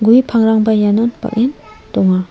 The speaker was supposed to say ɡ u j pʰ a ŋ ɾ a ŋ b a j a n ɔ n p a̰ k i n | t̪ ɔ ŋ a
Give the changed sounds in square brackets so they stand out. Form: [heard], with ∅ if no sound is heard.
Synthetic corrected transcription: ɡ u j pʰ a ŋ ɾ a ŋ b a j a n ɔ n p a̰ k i n | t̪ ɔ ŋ a